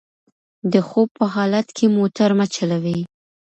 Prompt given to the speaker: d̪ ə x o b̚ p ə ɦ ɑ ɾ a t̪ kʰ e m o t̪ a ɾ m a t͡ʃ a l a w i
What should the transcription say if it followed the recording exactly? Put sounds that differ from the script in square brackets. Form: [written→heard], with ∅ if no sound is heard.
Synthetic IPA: d̪ ə x o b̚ p ə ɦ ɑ [ɾ→l] a t̪ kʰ e m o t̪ a ɾ m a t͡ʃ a l a w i